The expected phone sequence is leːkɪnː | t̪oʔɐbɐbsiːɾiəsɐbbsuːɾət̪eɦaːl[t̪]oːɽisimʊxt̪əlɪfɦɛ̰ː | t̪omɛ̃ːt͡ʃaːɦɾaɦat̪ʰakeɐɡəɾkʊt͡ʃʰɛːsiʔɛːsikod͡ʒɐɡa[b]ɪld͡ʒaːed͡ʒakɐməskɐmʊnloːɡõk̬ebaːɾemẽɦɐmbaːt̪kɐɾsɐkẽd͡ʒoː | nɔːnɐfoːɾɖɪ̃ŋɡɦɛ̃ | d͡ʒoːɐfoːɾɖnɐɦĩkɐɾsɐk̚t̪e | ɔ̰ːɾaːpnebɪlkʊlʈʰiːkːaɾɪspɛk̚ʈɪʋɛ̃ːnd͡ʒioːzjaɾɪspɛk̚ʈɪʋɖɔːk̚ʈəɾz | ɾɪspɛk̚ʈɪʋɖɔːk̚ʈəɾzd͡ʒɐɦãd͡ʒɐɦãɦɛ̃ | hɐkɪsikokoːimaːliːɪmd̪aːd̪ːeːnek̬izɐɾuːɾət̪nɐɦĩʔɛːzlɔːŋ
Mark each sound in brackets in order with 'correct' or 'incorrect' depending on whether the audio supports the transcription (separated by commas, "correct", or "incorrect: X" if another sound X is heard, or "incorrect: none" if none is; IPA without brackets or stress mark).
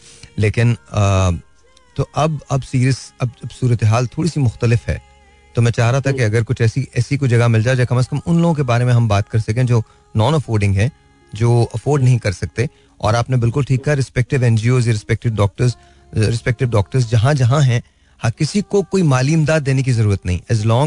incorrect: t̪ʰ, incorrect: m